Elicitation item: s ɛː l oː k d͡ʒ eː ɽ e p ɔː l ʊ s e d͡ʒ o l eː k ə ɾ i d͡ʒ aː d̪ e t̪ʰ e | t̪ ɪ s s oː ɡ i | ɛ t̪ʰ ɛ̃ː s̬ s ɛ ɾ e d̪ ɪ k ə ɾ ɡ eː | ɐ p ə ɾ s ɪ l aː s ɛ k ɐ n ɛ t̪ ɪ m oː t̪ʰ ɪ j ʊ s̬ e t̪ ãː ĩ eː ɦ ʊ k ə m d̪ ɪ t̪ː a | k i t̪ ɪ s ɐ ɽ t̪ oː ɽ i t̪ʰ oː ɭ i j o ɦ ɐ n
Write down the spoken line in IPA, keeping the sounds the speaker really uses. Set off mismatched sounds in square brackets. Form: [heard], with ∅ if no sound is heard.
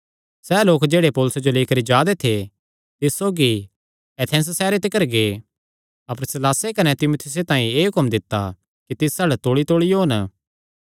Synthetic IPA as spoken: s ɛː l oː k d͡ʒ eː ɽ e p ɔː l ʊ s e d͡ʒ o l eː k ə ɾ i d͡ʒ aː d̪ e t̪ʰ e | t̪ ɪ s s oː ɡ i | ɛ t̪ʰ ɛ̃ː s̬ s [ɛː] ɾ e [t̪] ɪ k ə ɾ ɡ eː | ɐ p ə ɾ s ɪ l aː s [e] k ɐ n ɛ t̪ ɪ m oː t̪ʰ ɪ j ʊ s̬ e t̪ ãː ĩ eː ɦ ʊ k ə m d̪ ɪ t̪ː a | k i t̪ ɪ s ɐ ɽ t̪ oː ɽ i [t̪] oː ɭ i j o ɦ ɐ n